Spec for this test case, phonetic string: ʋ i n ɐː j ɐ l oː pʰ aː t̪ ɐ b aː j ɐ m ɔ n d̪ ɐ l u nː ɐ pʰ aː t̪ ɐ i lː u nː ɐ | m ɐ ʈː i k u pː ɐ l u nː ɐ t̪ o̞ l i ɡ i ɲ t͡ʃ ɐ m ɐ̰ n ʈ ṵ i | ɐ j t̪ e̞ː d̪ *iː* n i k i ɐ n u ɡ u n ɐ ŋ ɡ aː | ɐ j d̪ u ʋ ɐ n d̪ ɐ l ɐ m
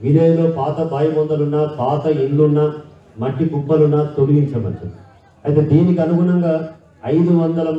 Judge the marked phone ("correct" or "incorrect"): correct